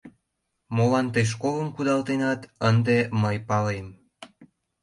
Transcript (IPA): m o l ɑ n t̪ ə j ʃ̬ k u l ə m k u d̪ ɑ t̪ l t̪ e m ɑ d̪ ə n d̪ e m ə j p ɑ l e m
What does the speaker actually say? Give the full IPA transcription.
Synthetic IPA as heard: m o l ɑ n t̪ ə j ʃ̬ k o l ə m k u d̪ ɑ l t̪ e n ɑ t̪ ə n d̪ e m ə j p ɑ l e m